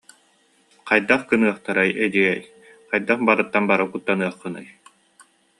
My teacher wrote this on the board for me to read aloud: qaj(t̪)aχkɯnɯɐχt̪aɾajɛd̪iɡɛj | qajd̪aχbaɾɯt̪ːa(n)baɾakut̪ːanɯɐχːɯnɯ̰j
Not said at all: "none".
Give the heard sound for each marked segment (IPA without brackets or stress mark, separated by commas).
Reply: d̪, n